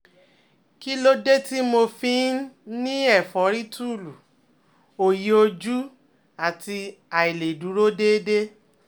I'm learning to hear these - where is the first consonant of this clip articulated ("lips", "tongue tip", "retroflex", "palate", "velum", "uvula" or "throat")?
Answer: velum